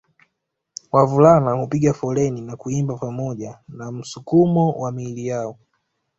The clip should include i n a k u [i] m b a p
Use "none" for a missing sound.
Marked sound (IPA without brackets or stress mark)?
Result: i